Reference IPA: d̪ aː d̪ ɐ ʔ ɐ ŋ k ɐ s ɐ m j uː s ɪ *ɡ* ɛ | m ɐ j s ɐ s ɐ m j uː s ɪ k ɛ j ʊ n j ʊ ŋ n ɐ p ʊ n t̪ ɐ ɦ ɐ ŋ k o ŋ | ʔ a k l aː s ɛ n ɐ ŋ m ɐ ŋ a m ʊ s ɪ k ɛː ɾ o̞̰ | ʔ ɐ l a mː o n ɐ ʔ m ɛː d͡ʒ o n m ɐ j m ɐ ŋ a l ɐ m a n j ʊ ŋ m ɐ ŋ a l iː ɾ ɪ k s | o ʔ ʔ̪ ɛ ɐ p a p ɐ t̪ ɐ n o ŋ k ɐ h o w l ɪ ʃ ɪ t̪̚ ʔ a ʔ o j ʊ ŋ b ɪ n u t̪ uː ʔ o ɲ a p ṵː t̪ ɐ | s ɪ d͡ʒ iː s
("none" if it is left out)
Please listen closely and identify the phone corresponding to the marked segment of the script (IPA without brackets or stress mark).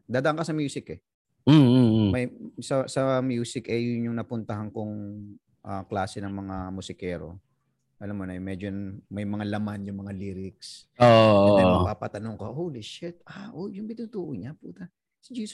k